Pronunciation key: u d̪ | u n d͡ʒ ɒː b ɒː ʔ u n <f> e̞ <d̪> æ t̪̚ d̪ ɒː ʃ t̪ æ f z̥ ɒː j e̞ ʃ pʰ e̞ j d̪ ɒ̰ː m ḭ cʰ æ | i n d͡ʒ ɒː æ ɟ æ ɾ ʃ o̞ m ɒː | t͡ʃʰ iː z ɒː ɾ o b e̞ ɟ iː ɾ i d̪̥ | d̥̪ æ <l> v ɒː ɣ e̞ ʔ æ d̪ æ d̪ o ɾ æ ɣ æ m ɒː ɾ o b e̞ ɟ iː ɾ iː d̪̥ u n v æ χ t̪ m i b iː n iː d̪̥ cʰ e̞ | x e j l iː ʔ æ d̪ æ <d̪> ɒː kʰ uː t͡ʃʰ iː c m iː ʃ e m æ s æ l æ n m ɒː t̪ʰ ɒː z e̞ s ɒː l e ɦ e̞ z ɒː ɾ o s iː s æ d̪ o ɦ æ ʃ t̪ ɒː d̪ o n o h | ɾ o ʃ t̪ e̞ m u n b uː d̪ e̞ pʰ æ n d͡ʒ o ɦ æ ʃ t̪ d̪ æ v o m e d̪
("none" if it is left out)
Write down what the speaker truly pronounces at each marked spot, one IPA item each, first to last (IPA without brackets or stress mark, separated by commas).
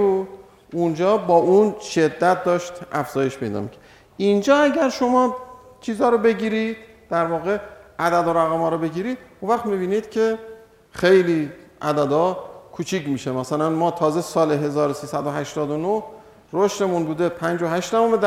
ʃ, d̪ː, ɾ, d̪